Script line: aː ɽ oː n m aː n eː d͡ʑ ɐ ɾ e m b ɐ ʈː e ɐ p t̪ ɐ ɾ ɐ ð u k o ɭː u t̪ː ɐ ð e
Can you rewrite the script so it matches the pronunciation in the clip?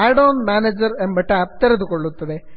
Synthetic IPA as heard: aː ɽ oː n m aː n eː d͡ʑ ɐ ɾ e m b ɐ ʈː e ɐ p t̪ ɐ ɾ ɐ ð u k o ɭː u t̪ː ɐ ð e